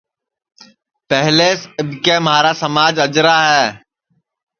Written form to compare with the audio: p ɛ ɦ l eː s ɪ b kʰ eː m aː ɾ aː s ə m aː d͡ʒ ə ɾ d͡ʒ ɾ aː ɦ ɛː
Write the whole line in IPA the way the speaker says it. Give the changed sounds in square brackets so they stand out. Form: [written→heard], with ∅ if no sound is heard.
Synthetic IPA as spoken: p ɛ ɦ l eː s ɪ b [kʰ→k] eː m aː ɾ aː s ə m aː d͡ʒ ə [ɾ→∅] d͡ʒ ɾ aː ɦ ɛː